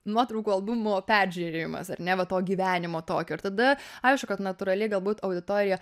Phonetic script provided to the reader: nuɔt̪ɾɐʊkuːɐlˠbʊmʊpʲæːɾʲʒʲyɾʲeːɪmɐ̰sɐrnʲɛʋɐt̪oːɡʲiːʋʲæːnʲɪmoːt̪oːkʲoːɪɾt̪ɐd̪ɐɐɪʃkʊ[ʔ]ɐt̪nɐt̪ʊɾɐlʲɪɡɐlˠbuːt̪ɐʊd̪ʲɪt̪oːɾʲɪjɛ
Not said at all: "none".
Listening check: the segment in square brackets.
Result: k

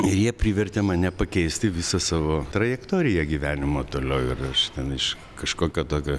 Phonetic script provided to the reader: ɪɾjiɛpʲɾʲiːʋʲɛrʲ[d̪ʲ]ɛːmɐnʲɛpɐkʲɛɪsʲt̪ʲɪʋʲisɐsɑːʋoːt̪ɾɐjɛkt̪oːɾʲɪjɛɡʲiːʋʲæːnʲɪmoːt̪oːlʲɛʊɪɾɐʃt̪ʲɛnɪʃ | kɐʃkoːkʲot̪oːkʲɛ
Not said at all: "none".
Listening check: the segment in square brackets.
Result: t̪ʲ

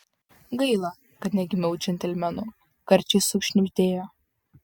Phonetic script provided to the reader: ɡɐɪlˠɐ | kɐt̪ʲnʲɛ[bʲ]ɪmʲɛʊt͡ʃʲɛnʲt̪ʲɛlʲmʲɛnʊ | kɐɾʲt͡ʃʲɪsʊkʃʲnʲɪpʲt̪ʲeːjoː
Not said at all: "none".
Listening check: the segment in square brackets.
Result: ɡʲ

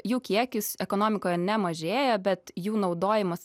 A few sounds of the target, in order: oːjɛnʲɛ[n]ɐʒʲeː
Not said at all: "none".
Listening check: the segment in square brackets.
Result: m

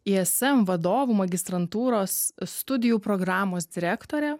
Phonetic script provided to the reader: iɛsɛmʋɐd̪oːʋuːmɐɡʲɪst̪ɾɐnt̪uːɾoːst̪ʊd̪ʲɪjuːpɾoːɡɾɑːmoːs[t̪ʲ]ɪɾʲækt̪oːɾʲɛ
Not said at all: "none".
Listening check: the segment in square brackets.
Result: d̪ʲ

